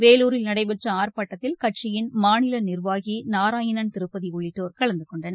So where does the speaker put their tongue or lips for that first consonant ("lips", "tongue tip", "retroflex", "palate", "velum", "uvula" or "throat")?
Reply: lips